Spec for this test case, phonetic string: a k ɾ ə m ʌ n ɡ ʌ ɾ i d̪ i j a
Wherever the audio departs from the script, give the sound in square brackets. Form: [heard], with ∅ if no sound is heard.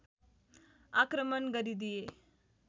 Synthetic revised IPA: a k ɾ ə m [ə] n ɡ [ə] ɾ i d̪ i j [e]